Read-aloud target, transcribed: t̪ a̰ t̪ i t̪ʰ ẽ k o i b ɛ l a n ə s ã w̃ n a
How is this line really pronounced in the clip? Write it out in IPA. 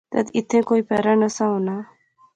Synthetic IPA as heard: t̪ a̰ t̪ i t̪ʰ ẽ k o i p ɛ ɾ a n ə s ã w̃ n a